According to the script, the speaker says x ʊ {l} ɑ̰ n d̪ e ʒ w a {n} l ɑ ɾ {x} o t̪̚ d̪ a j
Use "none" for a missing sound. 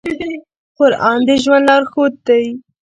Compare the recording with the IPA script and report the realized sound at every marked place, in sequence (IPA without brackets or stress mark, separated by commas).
ɾ, n, x